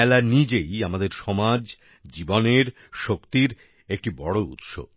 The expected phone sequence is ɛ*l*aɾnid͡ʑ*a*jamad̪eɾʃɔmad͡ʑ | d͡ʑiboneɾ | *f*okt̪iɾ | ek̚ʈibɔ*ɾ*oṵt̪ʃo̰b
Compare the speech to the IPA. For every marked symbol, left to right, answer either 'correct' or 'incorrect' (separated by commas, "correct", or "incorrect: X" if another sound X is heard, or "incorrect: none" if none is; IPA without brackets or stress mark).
correct, incorrect: e, incorrect: ʃ, incorrect: ɽ